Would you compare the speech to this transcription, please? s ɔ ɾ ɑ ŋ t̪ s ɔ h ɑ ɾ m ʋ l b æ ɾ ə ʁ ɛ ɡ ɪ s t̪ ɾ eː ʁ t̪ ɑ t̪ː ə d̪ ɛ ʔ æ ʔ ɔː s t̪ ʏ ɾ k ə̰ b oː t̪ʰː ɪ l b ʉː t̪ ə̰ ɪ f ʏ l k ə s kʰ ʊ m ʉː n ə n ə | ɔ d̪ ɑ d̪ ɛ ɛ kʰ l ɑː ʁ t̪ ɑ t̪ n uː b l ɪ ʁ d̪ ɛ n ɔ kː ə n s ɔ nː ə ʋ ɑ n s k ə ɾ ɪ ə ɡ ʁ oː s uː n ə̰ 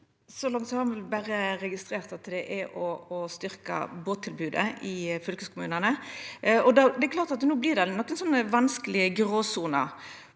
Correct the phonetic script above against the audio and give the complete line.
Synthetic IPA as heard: s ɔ l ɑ ŋ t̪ s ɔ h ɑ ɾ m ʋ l b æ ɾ ə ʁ ɛ ɡ ɪ s t̪ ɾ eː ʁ t̪ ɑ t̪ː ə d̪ ɛ ʔ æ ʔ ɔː s t̪ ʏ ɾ k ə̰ b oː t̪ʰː ɪ l b ʉː d̪ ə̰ ɪ f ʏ l k ə s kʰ ʊ m ʉː n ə n ə | ɔ d̪ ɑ d̪ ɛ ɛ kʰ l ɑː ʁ t̪ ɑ t̪ n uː b l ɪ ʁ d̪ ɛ n ɔ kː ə n s ɔ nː ə ʋ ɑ n s k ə l ɪ ə ɡ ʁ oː s uː n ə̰